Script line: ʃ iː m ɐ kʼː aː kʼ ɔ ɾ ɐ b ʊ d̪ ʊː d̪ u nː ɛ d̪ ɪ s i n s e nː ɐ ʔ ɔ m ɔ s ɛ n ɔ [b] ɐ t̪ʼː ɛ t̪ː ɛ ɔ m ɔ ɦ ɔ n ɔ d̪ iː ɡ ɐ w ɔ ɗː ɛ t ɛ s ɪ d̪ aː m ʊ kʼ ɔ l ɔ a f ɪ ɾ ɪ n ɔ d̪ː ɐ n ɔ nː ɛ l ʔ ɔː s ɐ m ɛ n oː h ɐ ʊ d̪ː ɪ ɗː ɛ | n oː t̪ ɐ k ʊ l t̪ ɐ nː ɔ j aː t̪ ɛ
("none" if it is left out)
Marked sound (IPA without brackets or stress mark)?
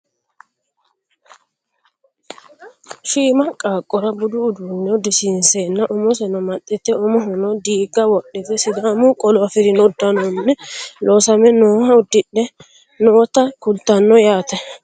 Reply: m